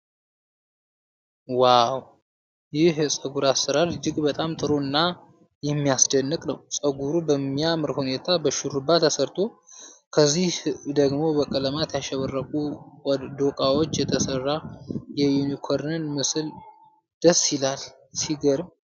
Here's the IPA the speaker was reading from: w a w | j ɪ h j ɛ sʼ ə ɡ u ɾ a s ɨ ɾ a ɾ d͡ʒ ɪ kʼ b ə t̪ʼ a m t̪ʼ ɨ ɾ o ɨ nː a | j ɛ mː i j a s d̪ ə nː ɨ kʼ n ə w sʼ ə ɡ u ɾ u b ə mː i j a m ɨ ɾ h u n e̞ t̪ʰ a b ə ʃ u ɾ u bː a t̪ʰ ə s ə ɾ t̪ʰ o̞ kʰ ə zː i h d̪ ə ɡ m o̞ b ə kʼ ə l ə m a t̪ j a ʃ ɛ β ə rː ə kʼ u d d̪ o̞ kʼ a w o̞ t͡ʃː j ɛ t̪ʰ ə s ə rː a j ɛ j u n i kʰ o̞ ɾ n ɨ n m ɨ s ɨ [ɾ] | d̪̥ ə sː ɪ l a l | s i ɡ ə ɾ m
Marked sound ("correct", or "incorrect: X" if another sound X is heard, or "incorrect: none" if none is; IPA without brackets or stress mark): incorrect: l